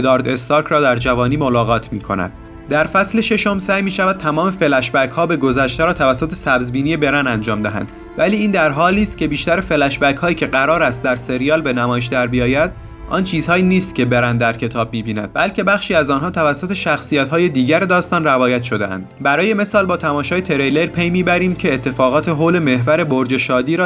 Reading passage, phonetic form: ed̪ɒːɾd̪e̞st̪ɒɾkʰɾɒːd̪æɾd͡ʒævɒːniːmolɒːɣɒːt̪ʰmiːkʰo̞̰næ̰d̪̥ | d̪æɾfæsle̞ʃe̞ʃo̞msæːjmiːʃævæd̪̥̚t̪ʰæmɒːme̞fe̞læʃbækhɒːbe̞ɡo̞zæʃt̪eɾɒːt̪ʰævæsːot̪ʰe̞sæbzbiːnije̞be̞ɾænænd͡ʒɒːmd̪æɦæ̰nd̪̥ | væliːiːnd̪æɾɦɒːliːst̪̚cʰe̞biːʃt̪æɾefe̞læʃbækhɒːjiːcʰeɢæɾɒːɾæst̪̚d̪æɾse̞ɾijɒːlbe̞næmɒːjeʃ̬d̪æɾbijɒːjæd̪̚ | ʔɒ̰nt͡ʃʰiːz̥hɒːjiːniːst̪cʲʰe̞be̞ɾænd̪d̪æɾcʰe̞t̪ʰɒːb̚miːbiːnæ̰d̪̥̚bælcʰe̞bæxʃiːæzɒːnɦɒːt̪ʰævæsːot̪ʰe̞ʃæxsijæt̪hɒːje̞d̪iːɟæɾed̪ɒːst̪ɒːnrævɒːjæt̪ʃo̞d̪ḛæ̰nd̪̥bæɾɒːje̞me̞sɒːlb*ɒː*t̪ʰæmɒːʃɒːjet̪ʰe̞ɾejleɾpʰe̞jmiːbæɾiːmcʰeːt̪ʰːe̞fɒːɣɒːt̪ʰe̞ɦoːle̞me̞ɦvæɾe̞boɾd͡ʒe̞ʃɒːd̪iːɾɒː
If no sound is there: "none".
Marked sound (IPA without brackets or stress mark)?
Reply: ɒː